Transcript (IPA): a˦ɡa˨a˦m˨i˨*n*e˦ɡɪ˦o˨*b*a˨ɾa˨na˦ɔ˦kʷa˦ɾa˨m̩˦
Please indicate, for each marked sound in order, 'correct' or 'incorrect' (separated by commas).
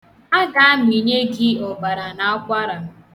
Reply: incorrect, correct